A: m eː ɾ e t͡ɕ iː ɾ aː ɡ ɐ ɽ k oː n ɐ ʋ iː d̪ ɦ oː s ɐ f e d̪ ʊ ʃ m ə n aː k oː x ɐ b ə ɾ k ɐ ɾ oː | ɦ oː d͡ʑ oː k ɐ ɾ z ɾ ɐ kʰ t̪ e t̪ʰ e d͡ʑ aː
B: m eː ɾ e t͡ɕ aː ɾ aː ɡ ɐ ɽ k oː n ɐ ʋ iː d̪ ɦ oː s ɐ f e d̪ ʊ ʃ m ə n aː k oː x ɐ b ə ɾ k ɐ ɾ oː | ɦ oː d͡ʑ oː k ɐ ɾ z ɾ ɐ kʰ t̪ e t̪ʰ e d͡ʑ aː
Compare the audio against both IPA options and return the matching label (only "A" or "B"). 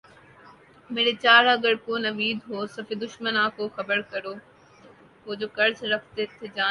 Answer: B